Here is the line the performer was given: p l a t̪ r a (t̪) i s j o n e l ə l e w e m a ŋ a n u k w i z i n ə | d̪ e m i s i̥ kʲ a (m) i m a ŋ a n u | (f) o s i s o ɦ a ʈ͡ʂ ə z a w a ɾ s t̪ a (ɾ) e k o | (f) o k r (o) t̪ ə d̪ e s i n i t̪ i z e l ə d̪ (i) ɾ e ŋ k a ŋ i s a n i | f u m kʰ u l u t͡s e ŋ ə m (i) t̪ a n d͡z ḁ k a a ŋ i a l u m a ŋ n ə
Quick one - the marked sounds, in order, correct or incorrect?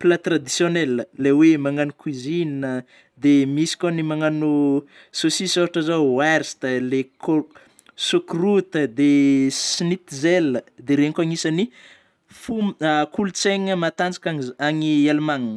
incorrect: d̪, incorrect: n, incorrect: s, incorrect: l, incorrect: s, incorrect: u, incorrect: e, incorrect: a

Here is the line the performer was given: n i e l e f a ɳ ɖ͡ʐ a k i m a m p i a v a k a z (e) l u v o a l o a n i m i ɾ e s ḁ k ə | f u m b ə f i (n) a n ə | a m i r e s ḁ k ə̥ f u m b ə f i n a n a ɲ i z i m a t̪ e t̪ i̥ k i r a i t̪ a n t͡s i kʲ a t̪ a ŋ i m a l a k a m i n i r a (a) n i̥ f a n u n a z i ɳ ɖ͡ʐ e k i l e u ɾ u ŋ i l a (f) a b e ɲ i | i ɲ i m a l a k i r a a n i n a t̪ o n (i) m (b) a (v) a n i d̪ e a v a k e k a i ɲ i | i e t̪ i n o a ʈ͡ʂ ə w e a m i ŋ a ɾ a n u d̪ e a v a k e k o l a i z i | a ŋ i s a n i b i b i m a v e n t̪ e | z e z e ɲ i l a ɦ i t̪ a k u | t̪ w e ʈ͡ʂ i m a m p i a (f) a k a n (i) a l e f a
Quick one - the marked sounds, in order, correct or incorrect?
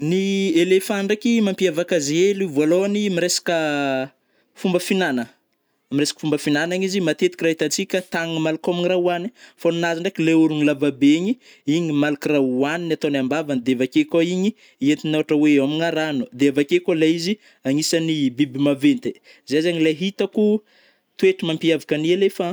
correct, correct, correct, incorrect: v, incorrect: a, correct, correct, incorrect: v, correct

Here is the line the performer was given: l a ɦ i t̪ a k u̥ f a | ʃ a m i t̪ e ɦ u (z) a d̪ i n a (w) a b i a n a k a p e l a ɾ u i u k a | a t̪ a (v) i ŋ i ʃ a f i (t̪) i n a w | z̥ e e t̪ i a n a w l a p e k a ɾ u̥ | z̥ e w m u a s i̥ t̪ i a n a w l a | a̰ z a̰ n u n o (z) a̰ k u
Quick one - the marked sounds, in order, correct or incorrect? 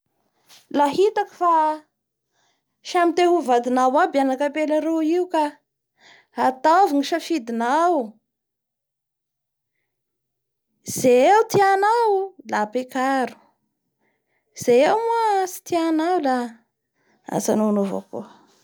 incorrect: v, correct, correct, incorrect: d̪, incorrect: v

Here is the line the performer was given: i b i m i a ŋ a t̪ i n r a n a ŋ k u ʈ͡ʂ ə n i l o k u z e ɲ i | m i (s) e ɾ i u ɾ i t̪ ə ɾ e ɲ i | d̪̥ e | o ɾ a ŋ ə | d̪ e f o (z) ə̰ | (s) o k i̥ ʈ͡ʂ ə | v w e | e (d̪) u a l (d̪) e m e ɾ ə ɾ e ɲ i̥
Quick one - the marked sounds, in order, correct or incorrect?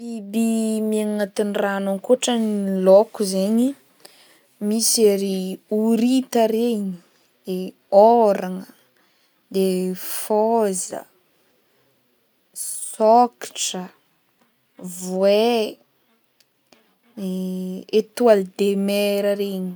correct, correct, correct, incorrect: t̪, correct

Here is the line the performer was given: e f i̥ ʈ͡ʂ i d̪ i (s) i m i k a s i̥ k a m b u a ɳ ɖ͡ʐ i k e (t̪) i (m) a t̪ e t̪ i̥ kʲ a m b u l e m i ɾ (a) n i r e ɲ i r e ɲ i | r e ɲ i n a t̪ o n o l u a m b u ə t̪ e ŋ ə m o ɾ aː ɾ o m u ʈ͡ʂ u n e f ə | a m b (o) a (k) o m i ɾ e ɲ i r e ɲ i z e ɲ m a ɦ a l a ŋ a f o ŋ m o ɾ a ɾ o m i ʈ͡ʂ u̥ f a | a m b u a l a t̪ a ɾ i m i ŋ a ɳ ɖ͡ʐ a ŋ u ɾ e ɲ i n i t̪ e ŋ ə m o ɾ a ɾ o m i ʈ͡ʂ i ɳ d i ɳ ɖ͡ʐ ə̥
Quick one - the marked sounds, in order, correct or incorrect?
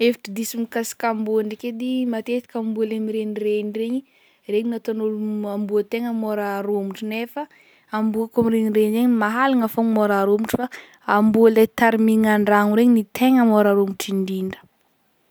correct, incorrect: d̪, correct, incorrect: e, incorrect: u, correct

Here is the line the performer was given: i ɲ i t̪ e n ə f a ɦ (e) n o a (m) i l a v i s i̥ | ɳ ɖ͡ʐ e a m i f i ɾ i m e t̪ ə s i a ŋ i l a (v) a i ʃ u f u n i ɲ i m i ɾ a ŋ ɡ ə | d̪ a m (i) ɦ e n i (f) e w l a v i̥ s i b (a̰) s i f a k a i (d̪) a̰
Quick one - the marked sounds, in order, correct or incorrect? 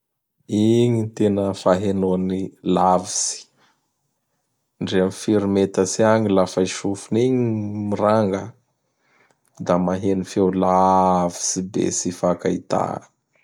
correct, incorrect: n, incorrect: f, incorrect: a, correct, incorrect: ḛ, incorrect: t̪

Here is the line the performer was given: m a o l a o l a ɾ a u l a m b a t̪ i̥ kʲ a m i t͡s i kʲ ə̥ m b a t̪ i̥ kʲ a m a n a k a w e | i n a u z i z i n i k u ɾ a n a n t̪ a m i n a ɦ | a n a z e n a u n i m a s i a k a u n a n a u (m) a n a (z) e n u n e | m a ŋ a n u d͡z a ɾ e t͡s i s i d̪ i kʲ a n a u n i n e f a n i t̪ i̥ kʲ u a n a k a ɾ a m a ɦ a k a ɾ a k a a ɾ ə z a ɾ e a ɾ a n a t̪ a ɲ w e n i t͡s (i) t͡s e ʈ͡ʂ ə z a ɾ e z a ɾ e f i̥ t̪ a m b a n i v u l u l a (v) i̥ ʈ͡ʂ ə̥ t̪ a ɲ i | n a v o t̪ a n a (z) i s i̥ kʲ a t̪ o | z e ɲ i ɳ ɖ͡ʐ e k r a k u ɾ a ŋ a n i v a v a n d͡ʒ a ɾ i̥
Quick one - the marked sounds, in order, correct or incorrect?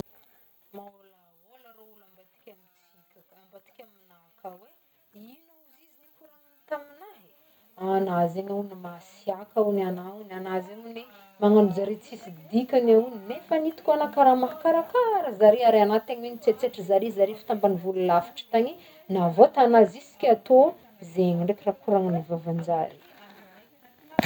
incorrect: n, correct, incorrect: e, incorrect: f, correct

